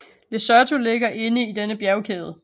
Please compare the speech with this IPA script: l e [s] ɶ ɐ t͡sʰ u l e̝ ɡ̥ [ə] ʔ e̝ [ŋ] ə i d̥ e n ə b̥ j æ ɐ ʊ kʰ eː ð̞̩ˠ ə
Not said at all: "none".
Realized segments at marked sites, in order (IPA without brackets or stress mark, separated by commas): s, ɐ, n